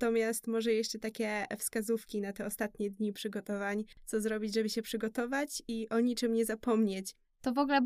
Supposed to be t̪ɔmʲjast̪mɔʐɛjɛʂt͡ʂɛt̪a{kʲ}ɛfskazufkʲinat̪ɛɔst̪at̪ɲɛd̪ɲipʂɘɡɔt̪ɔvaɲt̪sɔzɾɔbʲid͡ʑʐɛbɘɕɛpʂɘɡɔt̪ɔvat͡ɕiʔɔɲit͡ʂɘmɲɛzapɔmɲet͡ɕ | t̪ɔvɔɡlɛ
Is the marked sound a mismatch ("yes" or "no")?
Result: no